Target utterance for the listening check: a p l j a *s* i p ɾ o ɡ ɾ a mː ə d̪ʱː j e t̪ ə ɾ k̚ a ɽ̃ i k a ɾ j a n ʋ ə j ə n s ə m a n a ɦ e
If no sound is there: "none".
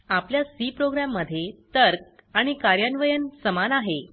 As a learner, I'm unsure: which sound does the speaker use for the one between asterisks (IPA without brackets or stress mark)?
s